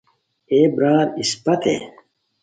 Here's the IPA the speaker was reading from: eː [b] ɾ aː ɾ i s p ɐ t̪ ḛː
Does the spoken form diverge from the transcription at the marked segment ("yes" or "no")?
no